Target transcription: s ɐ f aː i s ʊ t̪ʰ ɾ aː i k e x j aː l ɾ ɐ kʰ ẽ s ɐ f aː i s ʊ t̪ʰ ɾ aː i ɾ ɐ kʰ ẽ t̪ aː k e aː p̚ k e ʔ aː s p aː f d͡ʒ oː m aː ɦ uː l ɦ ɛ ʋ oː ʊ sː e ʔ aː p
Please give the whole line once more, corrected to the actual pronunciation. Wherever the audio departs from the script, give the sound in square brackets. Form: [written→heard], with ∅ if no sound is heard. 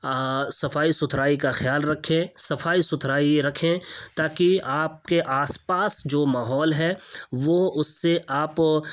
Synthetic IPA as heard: s ɐ f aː i s ʊ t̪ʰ ɾ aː i k [e→a] x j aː l ɾ ɐ kʰ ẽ s ɐ f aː i s ʊ t̪ʰ ɾ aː i ɾ ɐ kʰ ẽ t̪ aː k [e→i] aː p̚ k e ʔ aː s p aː [f→s] d͡ʒ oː m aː ɦ [uː→ɔː] l ɦ ɛ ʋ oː ʊ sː e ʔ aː p